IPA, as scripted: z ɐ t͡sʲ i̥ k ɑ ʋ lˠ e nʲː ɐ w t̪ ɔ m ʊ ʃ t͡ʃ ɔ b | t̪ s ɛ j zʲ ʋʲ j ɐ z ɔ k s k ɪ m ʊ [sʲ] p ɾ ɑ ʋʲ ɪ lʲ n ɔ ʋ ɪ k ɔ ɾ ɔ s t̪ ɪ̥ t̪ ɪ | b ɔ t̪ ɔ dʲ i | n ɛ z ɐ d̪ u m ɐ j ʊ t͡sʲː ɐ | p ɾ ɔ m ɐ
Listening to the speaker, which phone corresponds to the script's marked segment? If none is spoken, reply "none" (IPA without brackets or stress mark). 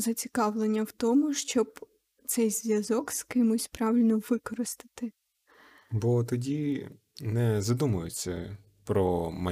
sʲ